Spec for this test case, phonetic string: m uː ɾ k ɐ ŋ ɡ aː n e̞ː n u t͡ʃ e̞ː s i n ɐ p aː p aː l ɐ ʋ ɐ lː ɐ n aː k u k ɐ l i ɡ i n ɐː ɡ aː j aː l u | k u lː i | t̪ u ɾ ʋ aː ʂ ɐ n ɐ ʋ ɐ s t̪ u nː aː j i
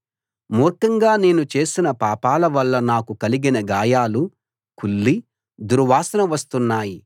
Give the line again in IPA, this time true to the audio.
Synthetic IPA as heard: m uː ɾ k ɐ ŋ ɡ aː n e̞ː n u t͡ʃ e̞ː s i n ɐ p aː p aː l ɐ ʋ ɐ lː ɐ n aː k u k ɐ l i ɡ i n ɐ ɡ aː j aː l u | k u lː i | d̪ u ɾ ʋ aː s ɐ n ɐ ʋ ɐ s t̪ u nː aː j i